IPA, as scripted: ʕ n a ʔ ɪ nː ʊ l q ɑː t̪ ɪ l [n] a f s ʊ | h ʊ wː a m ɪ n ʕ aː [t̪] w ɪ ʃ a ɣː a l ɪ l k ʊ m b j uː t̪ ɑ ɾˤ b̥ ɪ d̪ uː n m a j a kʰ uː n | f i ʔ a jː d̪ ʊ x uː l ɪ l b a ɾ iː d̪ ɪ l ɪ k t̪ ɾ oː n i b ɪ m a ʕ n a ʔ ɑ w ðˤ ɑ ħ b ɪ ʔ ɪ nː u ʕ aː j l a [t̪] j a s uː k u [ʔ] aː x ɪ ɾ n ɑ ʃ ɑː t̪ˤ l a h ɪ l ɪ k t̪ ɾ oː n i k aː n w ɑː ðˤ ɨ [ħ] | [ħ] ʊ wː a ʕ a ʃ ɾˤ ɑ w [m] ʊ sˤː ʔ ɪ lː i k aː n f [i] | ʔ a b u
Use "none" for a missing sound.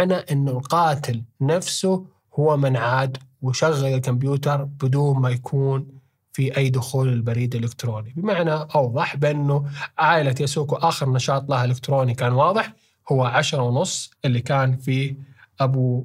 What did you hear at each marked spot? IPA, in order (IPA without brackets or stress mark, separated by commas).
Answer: n, d̪, t̪, ʔ, ħ, h, n, iː